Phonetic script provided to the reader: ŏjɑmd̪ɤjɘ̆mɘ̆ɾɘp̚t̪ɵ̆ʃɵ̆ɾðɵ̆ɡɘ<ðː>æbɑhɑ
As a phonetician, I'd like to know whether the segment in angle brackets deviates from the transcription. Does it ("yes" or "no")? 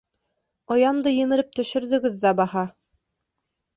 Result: no